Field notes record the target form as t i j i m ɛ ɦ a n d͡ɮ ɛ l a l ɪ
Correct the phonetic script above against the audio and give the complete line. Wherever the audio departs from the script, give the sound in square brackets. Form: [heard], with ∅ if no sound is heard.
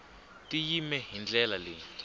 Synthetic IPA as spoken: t i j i m ɛ ɦ [i] n d͡ɮ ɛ l a l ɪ